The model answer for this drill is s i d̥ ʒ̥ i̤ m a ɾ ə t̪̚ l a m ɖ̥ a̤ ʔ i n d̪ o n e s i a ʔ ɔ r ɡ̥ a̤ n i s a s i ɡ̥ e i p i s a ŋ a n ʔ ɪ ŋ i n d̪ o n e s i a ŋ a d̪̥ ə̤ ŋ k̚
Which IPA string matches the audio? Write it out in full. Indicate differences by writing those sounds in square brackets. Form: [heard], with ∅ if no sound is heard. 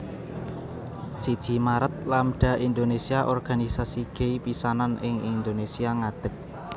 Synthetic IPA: s i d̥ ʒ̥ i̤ m a ɾ ə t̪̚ l a m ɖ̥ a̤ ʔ i n d̪ o n e s i a ʔ ɔ r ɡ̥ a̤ n i s a s i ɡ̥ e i p i s a [n] a n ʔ ɪ ŋ i n d̪ o n e s i a ŋ a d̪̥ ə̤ [∅] k̚